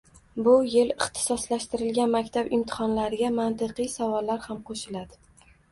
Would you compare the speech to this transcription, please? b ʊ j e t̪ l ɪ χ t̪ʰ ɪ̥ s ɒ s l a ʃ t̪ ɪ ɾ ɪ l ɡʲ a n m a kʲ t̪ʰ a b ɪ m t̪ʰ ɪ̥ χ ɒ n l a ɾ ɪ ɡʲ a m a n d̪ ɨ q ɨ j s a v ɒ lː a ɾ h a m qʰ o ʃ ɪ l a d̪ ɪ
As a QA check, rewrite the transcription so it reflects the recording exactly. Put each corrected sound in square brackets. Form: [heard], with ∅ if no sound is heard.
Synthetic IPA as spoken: b ʊ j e [∅] l ɪ χ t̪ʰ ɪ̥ s ɒ s l a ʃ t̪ ɪ ɾ ɪ l ɡʲ a n m a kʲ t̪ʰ a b ɪ m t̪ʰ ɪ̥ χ ɒ n l a ɾ ɪ ɡʲ a m a n [t̪] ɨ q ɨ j s a v ɒ lː a ɾ h a m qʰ o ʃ ɪ l a d̪ ɪ